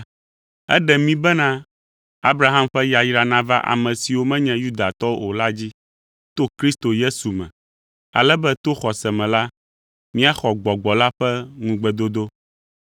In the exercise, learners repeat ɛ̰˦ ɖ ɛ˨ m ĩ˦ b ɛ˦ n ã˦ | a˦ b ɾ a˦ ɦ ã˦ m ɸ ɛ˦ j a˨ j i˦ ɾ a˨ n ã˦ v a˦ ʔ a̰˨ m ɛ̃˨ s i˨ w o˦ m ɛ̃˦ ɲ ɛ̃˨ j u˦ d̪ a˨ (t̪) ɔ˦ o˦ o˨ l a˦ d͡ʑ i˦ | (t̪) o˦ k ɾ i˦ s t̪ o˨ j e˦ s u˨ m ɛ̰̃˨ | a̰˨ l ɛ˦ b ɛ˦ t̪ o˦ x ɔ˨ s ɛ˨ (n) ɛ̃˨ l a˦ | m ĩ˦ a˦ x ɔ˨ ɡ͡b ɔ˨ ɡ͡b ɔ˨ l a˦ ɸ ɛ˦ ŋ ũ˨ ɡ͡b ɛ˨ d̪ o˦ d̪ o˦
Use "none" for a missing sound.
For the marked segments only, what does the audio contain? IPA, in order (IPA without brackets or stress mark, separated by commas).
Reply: t̪, t̪, m